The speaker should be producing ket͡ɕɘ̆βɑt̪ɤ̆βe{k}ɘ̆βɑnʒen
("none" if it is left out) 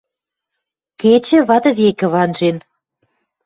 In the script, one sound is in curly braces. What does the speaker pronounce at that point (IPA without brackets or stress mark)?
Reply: k